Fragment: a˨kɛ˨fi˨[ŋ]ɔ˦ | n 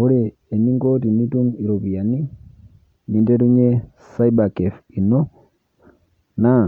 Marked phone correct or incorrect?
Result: incorrect